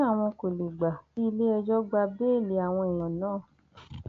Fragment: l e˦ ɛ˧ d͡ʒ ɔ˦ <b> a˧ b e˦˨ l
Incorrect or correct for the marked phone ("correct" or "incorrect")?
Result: incorrect